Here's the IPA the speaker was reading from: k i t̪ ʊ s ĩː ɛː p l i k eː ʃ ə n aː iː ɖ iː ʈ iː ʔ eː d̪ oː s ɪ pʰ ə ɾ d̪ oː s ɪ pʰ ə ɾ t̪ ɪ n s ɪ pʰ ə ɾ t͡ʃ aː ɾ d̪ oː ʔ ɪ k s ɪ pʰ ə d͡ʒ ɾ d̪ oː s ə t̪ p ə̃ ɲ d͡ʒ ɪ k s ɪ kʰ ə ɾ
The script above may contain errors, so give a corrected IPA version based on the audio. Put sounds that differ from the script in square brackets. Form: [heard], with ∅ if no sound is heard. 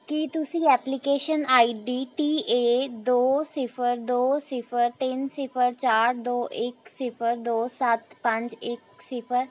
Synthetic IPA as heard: k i t̪ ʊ s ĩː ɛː p l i k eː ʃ ə n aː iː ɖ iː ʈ iː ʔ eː d̪ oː s ɪ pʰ ə ɾ d̪ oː s ɪ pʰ ə ɾ t̪ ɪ n s ɪ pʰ ə ɾ t͡ʃ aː ɾ d̪ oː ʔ ɪ k s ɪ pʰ ə [∅] ɾ d̪ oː s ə t̪ p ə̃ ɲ d͡ʒ ɪ k s ɪ [pʰ] ə ɾ